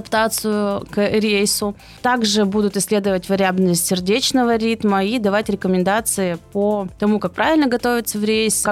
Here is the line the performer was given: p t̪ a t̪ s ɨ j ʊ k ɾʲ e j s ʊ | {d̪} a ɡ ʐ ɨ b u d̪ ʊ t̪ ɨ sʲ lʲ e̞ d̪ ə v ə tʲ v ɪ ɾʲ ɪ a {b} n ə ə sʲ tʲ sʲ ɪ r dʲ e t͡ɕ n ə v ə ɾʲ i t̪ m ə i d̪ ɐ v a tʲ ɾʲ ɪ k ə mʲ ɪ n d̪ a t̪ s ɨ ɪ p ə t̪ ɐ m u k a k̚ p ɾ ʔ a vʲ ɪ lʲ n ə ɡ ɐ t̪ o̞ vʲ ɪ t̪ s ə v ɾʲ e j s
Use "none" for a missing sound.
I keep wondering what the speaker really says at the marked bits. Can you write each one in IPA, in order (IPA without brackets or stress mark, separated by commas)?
t̪, b